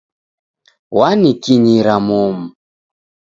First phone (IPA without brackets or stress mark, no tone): w